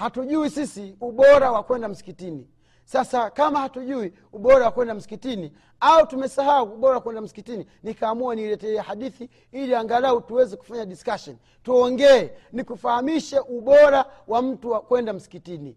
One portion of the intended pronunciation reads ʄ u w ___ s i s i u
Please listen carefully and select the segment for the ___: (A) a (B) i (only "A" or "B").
B